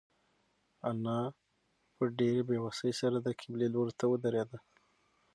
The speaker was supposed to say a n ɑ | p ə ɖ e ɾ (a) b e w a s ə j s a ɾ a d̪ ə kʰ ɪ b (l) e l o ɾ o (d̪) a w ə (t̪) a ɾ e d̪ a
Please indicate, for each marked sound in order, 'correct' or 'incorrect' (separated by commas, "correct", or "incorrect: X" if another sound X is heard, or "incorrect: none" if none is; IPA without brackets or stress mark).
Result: incorrect: e, correct, incorrect: t̪, incorrect: d̪